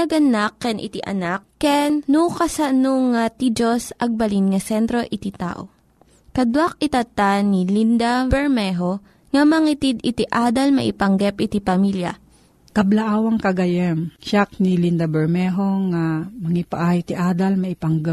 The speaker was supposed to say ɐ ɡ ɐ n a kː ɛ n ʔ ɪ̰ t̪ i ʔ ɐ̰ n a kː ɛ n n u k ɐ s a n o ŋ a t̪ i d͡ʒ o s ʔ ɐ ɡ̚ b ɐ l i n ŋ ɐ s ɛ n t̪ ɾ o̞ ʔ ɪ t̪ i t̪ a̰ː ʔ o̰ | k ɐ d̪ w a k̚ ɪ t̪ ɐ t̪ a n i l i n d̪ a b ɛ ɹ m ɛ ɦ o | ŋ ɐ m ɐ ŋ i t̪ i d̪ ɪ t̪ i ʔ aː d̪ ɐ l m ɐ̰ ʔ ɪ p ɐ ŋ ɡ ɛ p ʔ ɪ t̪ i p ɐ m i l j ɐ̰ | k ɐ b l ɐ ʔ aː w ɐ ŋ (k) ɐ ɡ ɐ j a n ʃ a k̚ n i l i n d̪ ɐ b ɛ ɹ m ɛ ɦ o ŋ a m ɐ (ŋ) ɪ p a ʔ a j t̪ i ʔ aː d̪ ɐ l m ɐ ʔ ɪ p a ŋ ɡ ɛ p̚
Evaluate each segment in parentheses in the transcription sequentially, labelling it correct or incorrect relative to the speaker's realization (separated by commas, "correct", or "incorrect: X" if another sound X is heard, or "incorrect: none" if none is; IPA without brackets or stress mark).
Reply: correct, correct